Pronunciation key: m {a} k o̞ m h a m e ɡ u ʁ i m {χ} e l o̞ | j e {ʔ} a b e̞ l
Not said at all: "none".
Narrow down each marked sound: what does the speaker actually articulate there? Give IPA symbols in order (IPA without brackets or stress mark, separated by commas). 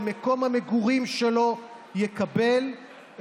e, ʃ, k